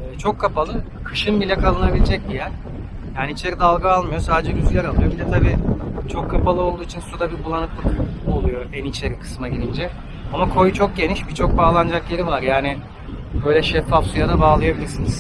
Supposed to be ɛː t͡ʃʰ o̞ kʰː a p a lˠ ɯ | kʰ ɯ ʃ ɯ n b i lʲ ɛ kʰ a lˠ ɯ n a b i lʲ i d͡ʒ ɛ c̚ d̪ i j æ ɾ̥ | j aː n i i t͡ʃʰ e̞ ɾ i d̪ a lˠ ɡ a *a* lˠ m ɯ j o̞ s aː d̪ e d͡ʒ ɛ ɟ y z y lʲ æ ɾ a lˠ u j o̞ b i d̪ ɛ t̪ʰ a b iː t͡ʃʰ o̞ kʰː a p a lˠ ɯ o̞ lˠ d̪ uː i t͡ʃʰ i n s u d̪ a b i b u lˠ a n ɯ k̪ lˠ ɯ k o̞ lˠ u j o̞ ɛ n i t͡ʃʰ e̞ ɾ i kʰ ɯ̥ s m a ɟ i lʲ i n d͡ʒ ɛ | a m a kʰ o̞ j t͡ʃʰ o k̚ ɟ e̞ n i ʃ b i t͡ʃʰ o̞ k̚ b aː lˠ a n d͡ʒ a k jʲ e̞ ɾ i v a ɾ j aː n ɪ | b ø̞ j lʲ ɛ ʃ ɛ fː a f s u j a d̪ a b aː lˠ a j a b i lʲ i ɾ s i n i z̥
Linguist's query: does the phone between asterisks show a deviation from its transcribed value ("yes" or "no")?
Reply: no